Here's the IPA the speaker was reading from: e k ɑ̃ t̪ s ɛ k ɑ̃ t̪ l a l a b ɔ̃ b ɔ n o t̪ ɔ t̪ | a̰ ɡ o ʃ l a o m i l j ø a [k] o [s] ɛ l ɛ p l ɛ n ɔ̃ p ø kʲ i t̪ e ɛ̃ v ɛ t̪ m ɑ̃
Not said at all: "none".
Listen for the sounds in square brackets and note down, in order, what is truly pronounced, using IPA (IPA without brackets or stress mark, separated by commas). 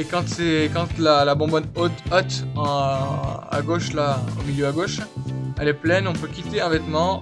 ɡ, ʃ